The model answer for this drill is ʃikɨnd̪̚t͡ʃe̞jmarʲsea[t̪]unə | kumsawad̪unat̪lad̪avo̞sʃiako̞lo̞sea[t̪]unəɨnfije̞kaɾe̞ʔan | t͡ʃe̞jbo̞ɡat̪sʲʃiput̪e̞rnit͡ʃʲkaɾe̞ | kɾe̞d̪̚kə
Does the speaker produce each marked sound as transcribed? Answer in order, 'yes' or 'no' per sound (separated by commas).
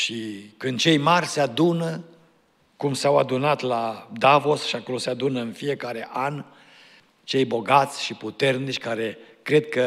no, no